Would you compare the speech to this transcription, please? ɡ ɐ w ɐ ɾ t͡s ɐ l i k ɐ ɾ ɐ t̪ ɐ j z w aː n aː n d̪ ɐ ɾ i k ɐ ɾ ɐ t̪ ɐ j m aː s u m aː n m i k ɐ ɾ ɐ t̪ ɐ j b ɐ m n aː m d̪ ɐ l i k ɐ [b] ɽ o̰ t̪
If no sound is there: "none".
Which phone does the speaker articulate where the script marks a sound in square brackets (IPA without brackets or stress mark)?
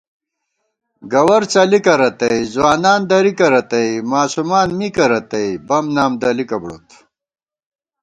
b